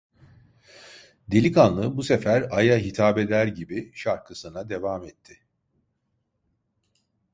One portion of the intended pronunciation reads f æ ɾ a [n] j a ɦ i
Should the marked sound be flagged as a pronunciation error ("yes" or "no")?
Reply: yes